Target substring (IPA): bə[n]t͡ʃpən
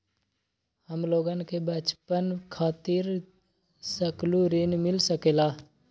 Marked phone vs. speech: incorrect: none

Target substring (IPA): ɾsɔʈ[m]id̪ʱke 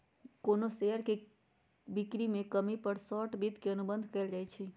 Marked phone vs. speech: incorrect: b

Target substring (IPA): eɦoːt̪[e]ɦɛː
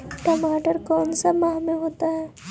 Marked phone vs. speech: incorrect: a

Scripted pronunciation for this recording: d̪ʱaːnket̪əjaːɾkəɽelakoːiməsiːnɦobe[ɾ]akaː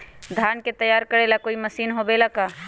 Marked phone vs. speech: incorrect: l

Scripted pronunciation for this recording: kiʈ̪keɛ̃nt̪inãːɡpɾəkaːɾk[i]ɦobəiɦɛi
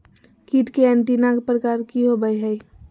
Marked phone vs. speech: correct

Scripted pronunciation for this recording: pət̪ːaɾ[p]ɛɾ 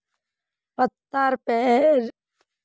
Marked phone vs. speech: correct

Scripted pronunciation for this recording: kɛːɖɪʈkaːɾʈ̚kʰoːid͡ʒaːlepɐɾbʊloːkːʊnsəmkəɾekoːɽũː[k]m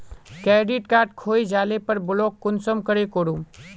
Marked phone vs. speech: incorrect: none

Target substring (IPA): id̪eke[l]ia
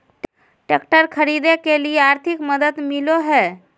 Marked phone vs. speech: correct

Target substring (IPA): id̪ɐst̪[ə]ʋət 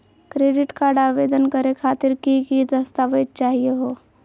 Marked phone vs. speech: incorrect: a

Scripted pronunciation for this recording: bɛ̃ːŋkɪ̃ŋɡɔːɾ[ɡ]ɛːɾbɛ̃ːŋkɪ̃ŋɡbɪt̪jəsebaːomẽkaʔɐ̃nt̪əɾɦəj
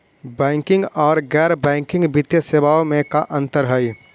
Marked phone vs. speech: correct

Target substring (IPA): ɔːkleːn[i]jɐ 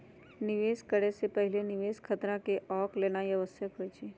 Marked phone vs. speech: incorrect: a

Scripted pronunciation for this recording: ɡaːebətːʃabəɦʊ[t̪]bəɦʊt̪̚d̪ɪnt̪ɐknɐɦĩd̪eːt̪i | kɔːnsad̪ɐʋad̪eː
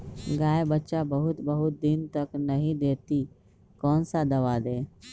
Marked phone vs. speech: correct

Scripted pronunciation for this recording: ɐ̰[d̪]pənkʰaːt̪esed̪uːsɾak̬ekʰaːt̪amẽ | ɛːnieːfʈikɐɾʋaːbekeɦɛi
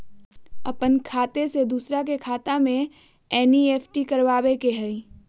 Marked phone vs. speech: incorrect: none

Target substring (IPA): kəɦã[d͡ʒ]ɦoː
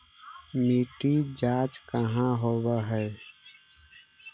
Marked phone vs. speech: incorrect: none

